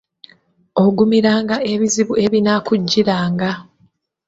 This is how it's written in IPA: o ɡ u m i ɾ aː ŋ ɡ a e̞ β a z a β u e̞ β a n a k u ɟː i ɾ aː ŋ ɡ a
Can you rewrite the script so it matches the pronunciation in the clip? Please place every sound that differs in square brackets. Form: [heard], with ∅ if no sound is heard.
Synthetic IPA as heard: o ɡ u m i ɾ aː ŋ ɡ a e̞ β [i] z [i] β u e̞ β [i] n a k u ɟː i ɾ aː ŋ ɡ a